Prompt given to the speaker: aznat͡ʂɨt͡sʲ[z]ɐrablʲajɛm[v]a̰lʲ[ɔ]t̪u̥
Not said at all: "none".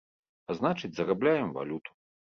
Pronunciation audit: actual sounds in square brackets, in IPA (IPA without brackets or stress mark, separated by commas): z, v, u